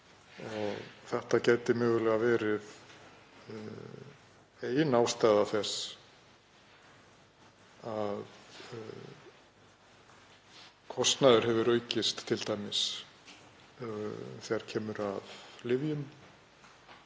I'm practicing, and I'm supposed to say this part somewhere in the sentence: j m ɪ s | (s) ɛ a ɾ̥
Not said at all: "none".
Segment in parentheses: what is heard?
θ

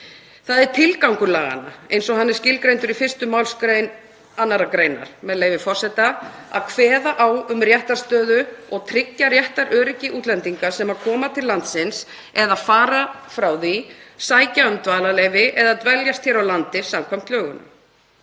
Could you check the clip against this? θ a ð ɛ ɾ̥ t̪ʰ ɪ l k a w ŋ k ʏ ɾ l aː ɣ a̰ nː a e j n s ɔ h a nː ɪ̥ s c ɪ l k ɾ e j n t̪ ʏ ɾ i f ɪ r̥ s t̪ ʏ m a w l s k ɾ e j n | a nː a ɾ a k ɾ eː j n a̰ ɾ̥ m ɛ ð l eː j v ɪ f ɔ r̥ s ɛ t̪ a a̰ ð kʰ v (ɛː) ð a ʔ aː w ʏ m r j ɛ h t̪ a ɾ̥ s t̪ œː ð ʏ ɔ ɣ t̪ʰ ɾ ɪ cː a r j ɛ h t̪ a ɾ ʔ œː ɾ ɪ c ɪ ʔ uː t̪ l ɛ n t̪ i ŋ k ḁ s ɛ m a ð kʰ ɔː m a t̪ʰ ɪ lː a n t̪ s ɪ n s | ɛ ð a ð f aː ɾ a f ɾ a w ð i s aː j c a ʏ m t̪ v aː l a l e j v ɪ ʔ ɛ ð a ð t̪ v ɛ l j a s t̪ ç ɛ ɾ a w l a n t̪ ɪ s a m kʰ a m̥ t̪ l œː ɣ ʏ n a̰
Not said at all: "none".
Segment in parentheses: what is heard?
ɛː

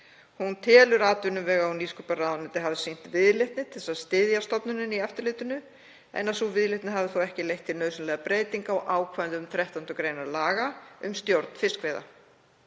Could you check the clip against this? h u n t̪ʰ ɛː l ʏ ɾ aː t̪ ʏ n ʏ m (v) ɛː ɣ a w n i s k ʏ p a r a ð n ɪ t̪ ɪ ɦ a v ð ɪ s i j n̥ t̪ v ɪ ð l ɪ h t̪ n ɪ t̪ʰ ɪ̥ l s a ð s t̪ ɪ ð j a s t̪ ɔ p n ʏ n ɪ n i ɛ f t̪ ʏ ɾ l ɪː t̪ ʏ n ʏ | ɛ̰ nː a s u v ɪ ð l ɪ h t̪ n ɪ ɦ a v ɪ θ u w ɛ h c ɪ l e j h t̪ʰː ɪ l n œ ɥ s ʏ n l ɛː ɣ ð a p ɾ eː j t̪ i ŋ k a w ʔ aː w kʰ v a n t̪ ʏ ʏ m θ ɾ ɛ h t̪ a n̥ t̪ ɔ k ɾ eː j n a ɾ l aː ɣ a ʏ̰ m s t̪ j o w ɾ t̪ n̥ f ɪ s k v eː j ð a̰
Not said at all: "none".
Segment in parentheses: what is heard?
v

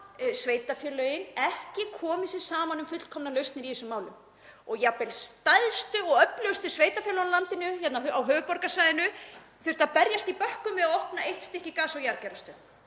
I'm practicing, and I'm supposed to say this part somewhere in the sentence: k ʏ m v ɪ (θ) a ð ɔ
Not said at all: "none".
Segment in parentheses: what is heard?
ð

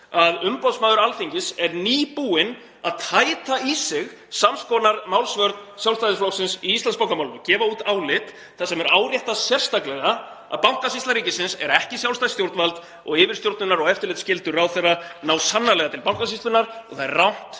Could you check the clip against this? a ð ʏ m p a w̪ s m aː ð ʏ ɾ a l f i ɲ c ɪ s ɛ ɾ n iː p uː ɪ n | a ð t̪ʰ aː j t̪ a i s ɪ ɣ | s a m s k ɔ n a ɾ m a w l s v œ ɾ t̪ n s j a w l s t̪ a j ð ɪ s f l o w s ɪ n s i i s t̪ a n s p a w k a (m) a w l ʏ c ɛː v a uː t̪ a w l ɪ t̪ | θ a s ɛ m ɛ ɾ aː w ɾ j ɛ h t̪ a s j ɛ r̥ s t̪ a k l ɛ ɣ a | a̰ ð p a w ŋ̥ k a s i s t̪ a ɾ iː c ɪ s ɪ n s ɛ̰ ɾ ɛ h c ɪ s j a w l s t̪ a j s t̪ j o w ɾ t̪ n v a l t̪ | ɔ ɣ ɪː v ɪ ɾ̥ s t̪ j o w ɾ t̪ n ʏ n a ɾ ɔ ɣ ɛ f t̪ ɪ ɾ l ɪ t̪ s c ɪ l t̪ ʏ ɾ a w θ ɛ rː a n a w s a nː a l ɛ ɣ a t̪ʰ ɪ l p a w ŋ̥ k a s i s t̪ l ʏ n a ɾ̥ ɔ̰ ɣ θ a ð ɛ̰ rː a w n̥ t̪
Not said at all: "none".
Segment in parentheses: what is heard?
m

